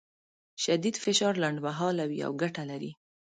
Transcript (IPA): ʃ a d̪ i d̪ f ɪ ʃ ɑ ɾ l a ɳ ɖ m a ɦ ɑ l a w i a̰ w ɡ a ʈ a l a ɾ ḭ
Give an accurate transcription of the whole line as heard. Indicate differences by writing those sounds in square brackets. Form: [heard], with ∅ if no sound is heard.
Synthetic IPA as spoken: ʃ a d̪ i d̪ f ɪ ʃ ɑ ɾ l a ɳ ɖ m a ɦ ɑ l a w i a̰ w ɡ a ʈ a l a ɾ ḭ